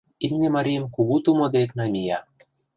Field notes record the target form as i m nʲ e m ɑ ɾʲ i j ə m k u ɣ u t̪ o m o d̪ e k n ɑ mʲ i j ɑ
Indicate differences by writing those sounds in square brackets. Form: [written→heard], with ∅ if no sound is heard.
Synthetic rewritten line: i m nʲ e m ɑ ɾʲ i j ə m k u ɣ u t̪ [o→u] m o d̪ e k n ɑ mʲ i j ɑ